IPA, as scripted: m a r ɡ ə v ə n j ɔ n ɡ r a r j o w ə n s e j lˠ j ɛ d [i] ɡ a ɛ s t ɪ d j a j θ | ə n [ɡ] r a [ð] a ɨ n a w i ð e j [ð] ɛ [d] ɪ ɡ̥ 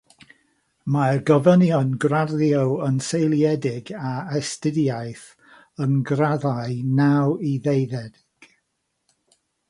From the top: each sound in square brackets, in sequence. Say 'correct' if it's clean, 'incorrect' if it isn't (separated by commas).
incorrect, correct, correct, correct, correct